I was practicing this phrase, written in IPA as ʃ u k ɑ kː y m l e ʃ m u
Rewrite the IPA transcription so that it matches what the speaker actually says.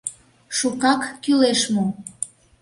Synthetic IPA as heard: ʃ u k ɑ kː y l e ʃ m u